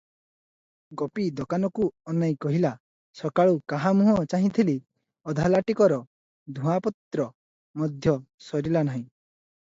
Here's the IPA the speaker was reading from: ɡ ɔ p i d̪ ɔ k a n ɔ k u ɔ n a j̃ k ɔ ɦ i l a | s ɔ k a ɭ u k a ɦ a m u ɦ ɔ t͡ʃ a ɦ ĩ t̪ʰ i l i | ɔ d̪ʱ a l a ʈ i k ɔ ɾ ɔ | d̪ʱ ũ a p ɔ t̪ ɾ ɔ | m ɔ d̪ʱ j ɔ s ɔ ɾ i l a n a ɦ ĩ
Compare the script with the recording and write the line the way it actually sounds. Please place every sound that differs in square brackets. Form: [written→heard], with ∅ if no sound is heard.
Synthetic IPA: ɡ ɔ p i d̪ ɔ k a n ɔ k u ɔ n a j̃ k ɔ ɦ i l a | s ɔ k a ɭ u k a ɦ a m u ɦ ɔ t͡ʃ a ɦ ĩ t̪ʰ i l i | ɔ d̪ʱ a l a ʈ i k ɔ ɾ ɔ | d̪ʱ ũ a p ɔ t̪ ɾ ɔ | m ɔ d̪ʱ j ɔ s ɔ ɾ i l a n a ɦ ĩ